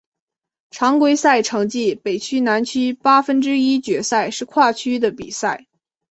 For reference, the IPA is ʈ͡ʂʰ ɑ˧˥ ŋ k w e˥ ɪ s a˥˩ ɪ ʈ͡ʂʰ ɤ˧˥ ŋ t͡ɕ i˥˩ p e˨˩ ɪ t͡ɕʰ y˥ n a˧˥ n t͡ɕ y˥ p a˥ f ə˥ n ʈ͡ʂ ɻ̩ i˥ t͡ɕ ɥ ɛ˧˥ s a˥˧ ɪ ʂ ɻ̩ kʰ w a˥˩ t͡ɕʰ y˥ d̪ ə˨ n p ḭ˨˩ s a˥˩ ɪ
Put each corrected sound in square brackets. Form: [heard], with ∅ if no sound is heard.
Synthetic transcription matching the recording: ʈ͡ʂʰ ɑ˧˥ ŋ k w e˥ ɪ s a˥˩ ɪ ʈ͡ʂʰ ɤ˧˥ ŋ t͡ɕ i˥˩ p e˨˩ ɪ t͡ɕʰ y˥ n a˧˥ n [t͡ɕʰ] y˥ p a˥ f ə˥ n ʈ͡ʂ ɻ̩ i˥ t͡ɕ ɥ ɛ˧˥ s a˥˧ ɪ ʂ ɻ̩ kʰ w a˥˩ t͡ɕʰ y˥ d̪ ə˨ [∅] p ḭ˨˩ s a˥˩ ɪ